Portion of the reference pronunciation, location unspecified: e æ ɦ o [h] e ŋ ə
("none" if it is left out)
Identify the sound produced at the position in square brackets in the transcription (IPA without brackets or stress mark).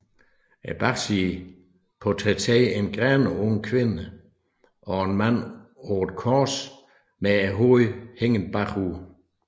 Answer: h